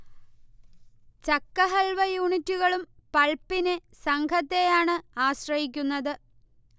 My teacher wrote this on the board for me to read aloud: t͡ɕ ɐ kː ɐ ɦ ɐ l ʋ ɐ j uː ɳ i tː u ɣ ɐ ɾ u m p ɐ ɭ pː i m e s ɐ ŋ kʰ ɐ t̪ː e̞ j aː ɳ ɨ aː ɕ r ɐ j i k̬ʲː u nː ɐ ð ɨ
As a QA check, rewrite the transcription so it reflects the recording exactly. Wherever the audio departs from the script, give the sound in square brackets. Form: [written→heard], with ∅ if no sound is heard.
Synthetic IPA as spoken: t͡ɕ ɐ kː ɐ ɦ ɐ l ʋ ɐ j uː ɳ i tː u ɣ ɐ [ɾ→ɭ] u m p ɐ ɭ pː i [m→n] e s ɐ ŋ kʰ ɐ t̪ː e̞ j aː ɳ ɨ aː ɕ r ɐ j i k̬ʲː u nː ɐ ð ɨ

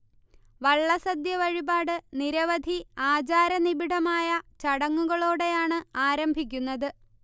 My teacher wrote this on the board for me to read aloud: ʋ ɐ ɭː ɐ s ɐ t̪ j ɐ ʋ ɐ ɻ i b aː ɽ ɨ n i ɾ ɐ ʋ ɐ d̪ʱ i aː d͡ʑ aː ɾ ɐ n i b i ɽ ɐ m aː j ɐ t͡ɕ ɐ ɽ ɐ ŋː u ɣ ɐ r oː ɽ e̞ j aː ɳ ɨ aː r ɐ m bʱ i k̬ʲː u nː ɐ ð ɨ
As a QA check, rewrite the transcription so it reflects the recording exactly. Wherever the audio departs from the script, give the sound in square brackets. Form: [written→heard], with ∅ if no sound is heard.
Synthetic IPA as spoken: ʋ ɐ ɭː ɐ s ɐ [t̪→d̪] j ɐ ʋ ɐ ɻ i b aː ɽ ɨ n i ɾ ɐ ʋ ɐ d̪ʱ i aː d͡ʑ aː ɾ ɐ n i b i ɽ ɐ m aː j ɐ t͡ɕ ɐ ɽ ɐ ŋː u ɣ ɐ [r→ɭ] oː ɽ e̞ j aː ɳ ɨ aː [r→ɾ] ɐ m bʱ i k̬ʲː u nː ɐ ð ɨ

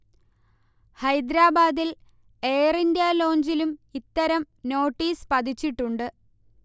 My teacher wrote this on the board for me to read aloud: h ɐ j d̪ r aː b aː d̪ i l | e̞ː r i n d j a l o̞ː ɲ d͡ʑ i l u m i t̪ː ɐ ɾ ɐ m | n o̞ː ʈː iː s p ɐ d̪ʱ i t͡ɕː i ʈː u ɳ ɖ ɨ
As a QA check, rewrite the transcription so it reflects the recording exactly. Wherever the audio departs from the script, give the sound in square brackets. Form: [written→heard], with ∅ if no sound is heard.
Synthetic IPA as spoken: h ɐ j d̪ [r→ɾ] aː b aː d̪ i l | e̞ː r i n d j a l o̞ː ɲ d͡ʑ i l u m i t̪ː ɐ ɾ ɐ m | n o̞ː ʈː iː s p ɐ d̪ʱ i t͡ɕː i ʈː u ɳ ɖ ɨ

